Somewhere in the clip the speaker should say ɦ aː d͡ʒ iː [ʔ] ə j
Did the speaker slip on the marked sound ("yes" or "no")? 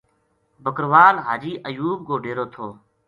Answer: no